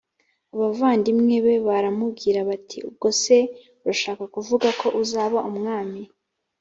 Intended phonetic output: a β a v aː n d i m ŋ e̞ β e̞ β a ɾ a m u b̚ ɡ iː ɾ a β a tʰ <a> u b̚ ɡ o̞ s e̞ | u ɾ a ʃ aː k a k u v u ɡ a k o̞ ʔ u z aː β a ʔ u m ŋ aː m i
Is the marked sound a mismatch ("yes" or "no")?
yes